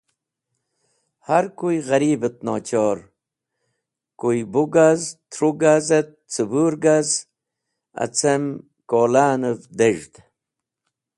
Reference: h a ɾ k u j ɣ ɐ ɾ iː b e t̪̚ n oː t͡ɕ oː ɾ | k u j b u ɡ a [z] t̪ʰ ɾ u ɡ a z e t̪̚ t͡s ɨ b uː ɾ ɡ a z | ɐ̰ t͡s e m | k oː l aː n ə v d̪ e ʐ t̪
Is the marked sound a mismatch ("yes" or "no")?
no